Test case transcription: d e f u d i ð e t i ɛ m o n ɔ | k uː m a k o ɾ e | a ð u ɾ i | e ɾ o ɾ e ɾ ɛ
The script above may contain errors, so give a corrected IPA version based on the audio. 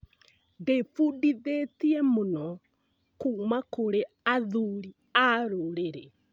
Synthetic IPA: d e f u d i ð e t i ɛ m o n ɔ | k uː m a k o ɾ e | a ð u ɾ i | a ɾ o ɾ e ɾ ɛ